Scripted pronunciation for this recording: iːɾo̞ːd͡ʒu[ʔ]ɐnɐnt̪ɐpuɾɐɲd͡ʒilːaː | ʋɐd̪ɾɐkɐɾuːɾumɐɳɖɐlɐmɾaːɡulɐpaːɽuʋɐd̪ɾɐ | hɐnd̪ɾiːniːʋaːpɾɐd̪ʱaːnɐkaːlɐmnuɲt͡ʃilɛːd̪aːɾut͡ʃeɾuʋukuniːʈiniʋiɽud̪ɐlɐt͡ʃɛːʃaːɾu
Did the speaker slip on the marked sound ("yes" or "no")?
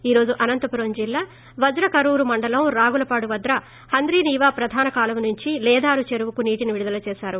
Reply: no